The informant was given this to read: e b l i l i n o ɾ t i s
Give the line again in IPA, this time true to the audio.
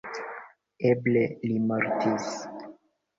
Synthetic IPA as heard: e b l e l i m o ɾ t i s